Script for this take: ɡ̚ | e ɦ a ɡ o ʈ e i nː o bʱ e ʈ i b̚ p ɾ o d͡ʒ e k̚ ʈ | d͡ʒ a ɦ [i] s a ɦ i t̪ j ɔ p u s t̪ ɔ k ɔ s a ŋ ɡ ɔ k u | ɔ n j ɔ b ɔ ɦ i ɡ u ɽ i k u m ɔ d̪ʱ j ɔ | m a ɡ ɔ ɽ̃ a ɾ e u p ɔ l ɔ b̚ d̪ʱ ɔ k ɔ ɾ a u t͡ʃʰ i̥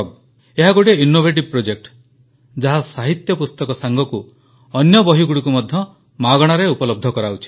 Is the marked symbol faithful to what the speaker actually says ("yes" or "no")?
no